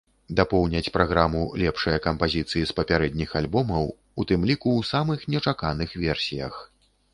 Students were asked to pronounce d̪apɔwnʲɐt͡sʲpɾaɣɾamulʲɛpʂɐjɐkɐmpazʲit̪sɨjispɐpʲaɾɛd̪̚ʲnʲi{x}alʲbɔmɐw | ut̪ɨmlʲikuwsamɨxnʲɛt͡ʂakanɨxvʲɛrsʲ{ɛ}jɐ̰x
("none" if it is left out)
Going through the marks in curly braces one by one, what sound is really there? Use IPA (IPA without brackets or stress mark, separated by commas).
x, i